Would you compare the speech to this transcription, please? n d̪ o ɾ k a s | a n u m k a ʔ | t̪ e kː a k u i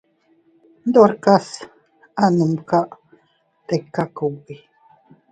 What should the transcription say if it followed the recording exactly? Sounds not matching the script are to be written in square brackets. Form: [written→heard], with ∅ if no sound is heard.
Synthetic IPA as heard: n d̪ o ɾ k a s | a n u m k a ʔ | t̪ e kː a k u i